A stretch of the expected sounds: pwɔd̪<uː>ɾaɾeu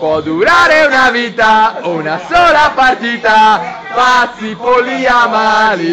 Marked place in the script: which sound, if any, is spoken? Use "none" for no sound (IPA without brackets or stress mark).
u